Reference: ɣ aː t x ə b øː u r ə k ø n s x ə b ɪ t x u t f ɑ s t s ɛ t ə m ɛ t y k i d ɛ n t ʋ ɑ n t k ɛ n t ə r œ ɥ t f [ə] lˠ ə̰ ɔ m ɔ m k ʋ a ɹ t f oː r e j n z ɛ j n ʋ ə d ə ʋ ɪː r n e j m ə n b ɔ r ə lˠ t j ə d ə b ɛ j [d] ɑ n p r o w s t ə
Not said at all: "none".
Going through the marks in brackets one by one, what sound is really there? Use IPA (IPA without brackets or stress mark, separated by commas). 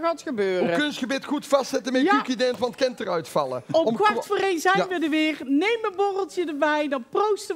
ɑ, d